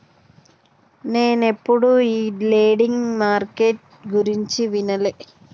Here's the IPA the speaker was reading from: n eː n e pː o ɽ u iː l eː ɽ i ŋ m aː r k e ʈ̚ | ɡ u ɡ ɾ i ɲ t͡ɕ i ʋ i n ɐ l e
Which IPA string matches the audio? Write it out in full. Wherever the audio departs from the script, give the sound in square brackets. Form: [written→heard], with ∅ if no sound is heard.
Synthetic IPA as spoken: n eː n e pː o ɽ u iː l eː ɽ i ŋ m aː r k e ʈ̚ | ɡ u [ɡ→∅] ɾ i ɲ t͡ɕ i ʋ i n ɐ l e